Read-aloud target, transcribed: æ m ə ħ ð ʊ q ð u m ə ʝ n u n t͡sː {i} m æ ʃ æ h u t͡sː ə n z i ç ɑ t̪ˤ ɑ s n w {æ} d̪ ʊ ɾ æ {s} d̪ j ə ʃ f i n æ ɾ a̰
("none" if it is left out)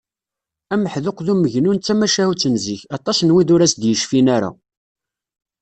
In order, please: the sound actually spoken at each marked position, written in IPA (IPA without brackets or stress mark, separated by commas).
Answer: æ, i, s